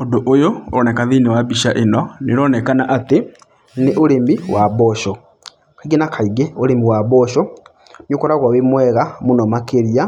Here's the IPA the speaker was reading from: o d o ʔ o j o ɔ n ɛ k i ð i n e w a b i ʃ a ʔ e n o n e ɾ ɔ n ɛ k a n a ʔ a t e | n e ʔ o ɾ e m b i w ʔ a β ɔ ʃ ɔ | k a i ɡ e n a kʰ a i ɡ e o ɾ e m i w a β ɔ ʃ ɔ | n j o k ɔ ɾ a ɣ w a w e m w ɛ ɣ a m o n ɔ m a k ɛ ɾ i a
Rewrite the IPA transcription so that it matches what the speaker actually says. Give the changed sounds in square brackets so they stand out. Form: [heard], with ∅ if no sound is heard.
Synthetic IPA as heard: o d o ʔ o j o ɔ n ɛ k [a] ð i n e w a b i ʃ a ʔ e n [ɔ] n e ɾ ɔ n ɛ k a n a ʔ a t e | n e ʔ o ɾ e m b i w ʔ a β ɔ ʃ ɔ | k a i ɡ e n a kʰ a i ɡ e o ɾ e m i w a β ɔ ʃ ɔ | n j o k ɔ ɾ a ɣ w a w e m w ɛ ɣ a m o n ɔ m a k [e] ɾ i a

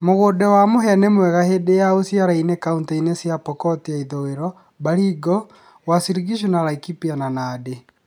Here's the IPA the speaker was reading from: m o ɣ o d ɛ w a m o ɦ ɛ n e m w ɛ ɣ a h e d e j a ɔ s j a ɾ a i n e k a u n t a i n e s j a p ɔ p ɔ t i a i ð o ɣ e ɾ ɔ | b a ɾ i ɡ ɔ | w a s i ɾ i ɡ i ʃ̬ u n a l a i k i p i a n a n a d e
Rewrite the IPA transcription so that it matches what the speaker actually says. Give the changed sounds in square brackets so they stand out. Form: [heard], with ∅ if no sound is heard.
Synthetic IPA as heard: m o ɣ o d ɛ w a m o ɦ ɛ n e m w ɛ ɣ a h e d e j a [o] s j a ɾ a i n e k a u n t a i n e s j a p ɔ [k] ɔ t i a i ð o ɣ e ɾ ɔ | b a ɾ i ɡ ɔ | w a s i ɾ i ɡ i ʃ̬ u n a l a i k i p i a n a n a d e

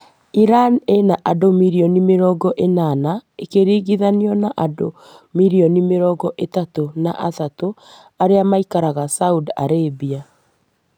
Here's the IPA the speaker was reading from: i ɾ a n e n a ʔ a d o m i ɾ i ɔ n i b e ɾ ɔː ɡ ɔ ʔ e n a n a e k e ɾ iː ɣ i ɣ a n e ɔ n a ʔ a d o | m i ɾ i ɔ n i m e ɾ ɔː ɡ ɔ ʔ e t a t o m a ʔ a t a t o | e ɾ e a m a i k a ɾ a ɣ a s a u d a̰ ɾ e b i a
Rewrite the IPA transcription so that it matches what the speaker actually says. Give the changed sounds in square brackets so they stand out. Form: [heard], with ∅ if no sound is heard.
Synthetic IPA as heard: i ɾ a n e n a ʔ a d o m i ɾ i ɔ n i [m] e ɾ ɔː ɡ ɔ ʔ e n a n a e k e ɾ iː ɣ i [ð] a n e ɔ n a ʔ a d o | m i ɾ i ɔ n i m e ɾ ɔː ɡ ɔ ʔ e t a t o [n] a ʔ a t a t o | [a] ɾ e a m a i k a ɾ a ɣ a s a u d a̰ ɾ e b i a

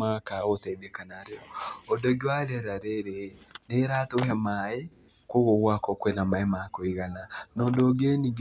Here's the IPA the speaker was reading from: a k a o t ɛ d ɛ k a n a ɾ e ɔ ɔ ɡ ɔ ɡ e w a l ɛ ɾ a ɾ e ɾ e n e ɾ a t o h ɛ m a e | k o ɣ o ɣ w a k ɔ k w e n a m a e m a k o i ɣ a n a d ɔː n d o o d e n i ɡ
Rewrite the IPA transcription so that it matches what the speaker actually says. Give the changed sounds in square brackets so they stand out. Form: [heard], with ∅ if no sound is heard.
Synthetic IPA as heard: a k a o t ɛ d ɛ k a n a ɾ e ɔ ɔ [d] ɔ ɡ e w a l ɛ ɾ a ɾ e ɾ e n e ɾ a t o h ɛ m a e | k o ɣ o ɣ w a k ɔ k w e n a m a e m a k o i ɣ a n a [n] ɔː n d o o [ɡ] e n i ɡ

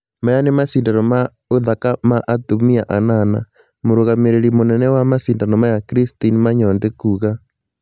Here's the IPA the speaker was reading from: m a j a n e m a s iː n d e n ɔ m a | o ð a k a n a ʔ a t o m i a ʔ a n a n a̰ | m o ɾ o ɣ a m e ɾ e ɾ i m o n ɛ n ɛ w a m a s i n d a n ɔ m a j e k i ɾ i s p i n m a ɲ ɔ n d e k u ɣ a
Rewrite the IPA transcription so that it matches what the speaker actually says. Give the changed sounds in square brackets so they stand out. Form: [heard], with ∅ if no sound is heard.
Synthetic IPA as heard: m a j a n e m a s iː n d [a] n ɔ m a | o ð a k a [m] a ʔ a t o m i a ʔ a n a n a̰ | m o ɾ o ɣ a m e ɾ e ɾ i m o n ɛ n ɛ w a m a s i n d a n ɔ m a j [a] k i ɾ i s [t] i n m a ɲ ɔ n d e k u ɣ a

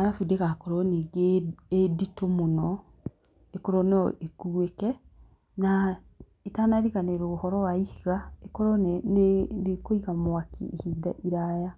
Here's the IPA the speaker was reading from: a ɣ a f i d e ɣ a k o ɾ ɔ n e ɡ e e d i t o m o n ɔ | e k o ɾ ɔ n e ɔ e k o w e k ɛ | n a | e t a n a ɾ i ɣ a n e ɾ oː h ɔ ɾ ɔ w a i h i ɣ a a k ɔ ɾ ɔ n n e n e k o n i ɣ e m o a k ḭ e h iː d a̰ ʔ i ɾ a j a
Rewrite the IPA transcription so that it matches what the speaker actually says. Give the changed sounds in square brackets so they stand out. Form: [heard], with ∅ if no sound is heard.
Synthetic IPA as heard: a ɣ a f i d e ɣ a k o ɾ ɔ n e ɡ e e d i t o m o n ɔ | e k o ɾ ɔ n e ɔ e k [u] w e k ɛ | n a | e t a n a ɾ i ɣ a n e ɾ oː h ɔ ɾ ɔ w a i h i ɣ a [e] k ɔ ɾ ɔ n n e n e k o [∅] i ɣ [a] m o a k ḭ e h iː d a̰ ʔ i ɾ a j a

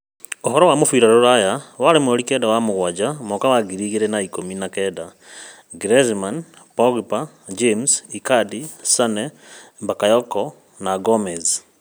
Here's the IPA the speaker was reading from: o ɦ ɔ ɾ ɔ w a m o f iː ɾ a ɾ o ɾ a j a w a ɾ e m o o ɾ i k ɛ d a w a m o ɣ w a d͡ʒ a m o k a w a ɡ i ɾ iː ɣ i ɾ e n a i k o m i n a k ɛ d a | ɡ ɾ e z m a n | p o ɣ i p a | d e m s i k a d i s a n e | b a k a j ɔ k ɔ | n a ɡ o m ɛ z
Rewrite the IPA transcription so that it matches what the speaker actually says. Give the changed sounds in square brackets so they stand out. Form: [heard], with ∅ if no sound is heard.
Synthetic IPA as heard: o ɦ ɔ ɾ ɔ w a m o f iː ɾ a ɾ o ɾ a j a w a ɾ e m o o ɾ i k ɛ d a w a m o ɣ w a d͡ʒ a m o k a w a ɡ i ɾ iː ɣ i ɾ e n a i k o m i n a k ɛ d a | ɡ ɾ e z m a n | p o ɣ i p a | [d͡ʒ] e m s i k a d i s a n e | b a k a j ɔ k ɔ | n a ɡ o m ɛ z

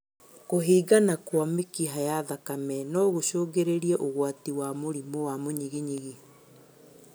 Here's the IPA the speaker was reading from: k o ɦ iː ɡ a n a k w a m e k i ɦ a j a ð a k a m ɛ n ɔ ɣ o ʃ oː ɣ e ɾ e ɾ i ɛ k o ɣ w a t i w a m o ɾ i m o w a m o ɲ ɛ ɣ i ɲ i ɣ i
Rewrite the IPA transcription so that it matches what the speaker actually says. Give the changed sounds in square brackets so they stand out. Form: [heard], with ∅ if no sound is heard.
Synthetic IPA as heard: k o ɦ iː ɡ a n a k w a m e k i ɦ a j a ð a k a m ɛ n ɔ ɣ o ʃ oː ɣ e ɾ e ɾ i ɛ [ʔ] o ɣ w a t i w a m o ɾ i m o w a m o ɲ [i] ɣ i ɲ i ɣ i

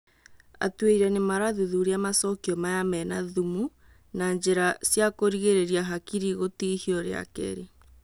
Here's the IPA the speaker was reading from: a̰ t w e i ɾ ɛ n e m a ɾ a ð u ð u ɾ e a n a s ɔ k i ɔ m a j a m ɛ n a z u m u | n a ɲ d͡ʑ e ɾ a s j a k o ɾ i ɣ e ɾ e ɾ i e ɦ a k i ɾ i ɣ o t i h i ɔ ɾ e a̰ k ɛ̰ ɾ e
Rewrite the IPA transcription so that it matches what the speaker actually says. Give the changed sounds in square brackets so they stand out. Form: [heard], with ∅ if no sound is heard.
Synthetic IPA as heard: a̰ t w e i ɾ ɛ n e m a ɾ a ð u ð u ɾ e a [m] a s ɔ k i ɔ m a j a m ɛ n a [ð] u m u | n a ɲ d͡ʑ e ɾ a s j a k o ɾ i ɣ e ɾ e ɾ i [a] ɦ a k i ɾ i ɣ o t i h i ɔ ɾ e a̰ k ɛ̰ ɾ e

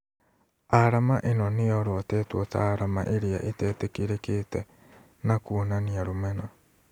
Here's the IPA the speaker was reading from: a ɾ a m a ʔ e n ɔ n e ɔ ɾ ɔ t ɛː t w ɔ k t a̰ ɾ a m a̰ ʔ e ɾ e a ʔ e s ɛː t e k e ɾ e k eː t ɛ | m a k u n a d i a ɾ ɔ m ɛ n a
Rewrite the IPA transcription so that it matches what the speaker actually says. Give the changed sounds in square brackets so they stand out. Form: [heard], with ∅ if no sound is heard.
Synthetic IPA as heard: a ɾ a m a ʔ e n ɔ n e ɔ ɾ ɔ t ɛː t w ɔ [∅] t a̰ ɾ a m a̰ ʔ e ɾ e a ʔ e [t] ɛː t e k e ɾ e k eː t ɛ | [n] a k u n a [n] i a ɾ [o] m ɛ n a

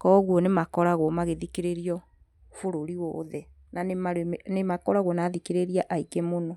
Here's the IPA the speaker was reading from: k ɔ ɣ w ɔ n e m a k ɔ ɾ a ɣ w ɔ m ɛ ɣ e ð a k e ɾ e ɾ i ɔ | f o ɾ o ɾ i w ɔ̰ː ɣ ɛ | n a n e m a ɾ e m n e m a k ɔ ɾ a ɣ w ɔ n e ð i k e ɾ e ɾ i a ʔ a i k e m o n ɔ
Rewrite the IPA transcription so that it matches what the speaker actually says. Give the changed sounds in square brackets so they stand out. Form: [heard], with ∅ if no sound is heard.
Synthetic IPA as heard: k ɔ ɣ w ɔ n e m a k ɔ ɾ a ɣ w ɔ m [a] ɣ e ð [i] k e ɾ e ɾ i ɔ | f o ɾ o ɾ i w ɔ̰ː [ð] ɛ | n a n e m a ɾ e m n e m a k ɔ ɾ a ɣ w ɔ n [a] ð i k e ɾ e ɾ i a ʔ a i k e m o n ɔ

